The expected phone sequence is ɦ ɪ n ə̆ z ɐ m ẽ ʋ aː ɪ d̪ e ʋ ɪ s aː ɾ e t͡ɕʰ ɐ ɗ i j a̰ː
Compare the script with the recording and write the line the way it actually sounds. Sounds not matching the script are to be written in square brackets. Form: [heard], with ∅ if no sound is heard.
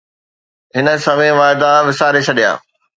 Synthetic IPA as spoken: ɦ ɪ n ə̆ [s] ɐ m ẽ ʋ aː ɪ d̪ [a] ʋ ɪ s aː ɾ e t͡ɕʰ ɐ ɗ i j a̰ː